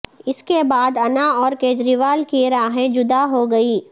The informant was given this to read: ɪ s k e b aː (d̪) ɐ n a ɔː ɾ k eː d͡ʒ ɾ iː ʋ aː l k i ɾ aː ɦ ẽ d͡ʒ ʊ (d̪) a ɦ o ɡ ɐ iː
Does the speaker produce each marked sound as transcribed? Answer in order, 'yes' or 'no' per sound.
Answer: yes, yes

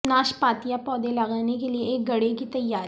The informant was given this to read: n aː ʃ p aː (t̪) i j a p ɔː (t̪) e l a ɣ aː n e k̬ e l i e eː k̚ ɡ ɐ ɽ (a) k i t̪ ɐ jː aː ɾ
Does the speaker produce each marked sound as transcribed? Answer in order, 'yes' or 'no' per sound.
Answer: yes, no, no

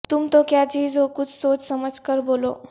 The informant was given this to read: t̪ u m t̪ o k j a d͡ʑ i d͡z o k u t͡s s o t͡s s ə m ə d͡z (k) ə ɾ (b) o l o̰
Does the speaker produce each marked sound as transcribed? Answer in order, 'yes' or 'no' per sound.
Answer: yes, yes

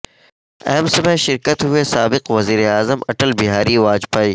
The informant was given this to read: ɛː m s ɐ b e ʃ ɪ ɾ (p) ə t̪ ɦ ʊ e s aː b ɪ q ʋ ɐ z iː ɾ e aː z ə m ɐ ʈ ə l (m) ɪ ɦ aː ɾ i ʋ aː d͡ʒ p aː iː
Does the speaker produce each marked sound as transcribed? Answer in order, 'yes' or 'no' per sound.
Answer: no, no

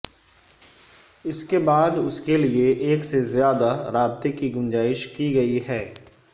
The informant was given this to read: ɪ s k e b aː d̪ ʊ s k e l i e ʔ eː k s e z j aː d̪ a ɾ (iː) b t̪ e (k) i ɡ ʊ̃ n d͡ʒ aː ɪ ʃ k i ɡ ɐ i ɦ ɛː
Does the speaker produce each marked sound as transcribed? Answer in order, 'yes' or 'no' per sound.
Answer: no, yes

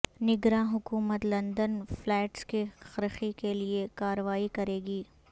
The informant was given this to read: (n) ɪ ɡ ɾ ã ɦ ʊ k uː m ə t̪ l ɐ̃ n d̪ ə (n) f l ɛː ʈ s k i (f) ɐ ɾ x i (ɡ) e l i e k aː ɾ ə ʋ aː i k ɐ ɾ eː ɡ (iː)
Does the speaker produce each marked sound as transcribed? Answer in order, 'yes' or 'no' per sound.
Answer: yes, yes, no, no, yes

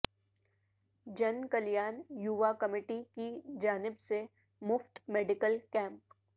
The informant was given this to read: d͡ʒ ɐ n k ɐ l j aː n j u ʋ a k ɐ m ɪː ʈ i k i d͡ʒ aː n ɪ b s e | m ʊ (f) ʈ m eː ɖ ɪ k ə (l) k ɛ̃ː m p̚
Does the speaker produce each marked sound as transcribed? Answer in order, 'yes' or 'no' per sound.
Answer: yes, yes

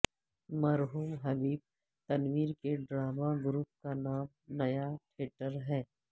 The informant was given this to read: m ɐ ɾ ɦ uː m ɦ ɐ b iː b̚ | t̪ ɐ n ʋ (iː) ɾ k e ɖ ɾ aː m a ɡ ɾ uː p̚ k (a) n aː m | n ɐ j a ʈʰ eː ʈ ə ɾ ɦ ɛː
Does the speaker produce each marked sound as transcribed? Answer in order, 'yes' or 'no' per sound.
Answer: yes, yes

